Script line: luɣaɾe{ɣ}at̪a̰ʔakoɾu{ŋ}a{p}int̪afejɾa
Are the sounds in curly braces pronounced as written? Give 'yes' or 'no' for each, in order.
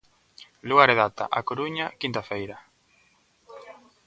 no, no, no

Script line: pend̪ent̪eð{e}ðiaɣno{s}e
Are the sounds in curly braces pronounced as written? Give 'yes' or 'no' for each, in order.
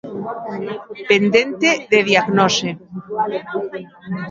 yes, yes

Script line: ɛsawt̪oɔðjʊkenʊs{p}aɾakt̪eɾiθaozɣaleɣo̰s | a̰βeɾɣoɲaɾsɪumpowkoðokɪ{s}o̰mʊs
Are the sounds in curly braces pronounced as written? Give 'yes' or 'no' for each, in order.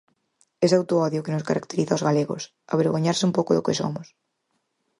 no, yes

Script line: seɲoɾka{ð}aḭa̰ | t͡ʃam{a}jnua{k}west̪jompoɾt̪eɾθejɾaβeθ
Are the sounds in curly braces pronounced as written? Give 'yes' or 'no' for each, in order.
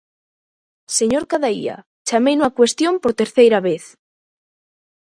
yes, no, yes

